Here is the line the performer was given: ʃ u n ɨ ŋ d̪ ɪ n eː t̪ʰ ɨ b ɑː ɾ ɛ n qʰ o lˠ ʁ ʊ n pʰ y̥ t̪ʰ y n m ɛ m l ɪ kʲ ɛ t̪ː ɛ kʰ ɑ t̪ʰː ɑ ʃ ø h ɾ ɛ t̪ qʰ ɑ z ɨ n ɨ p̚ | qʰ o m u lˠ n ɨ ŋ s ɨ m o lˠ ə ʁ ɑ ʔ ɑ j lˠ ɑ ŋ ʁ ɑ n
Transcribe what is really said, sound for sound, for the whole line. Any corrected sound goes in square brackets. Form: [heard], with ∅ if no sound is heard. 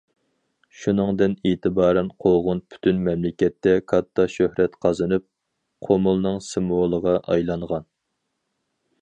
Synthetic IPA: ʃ u n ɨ ŋ d̪ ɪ n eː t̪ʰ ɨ b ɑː ɾ ɛ n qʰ o lˠ ʁ ʊ n pʰ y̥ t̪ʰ y n m ɛ m l ɪ kʲ ɛ t̪ː ɛ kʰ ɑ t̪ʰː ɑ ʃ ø h ɾ ɛ t̪ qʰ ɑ z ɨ n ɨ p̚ | qʰ o m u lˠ n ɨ ŋ s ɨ m o lˠ ə ʁ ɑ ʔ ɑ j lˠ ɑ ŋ ʁ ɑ n